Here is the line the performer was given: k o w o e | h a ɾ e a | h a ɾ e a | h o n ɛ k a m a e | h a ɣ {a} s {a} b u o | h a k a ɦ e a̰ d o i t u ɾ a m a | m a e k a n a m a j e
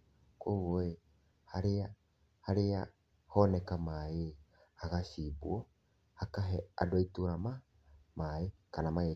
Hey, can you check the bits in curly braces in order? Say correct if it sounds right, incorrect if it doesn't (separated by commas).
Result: correct, incorrect